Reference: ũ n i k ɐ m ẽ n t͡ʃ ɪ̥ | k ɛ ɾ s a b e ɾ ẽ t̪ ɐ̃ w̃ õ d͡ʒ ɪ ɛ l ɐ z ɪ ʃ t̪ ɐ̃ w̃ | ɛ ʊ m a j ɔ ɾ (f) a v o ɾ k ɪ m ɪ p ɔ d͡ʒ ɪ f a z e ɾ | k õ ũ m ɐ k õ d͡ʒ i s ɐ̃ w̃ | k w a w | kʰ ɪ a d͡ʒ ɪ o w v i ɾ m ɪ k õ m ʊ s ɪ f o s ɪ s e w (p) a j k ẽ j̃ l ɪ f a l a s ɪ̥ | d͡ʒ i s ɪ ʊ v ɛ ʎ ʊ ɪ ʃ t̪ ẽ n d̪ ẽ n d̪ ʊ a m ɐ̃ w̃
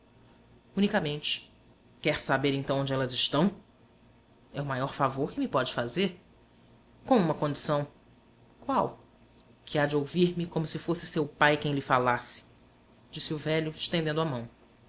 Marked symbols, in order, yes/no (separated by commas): yes, yes